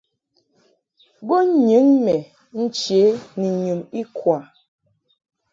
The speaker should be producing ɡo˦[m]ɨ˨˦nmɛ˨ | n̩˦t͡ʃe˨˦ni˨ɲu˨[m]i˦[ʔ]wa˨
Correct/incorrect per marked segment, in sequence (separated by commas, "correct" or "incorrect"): incorrect, correct, incorrect